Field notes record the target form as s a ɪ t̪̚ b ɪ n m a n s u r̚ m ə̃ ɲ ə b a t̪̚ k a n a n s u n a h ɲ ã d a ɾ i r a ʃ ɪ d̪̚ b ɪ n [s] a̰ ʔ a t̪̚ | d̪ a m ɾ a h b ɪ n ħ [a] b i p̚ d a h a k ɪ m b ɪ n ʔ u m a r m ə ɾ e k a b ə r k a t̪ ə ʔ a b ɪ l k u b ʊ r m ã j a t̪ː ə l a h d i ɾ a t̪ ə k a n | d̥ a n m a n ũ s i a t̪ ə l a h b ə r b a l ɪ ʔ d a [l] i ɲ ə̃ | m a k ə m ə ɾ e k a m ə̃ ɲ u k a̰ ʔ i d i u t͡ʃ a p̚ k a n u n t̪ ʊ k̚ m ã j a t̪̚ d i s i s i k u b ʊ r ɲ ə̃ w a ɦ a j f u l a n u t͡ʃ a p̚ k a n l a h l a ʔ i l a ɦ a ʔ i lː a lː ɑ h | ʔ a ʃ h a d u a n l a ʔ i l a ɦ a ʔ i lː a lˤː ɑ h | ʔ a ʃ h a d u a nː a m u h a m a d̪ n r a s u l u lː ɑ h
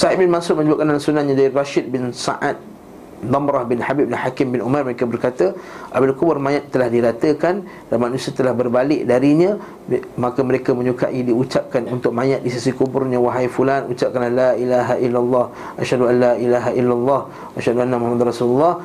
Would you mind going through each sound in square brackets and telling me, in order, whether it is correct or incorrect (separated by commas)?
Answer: correct, correct, incorrect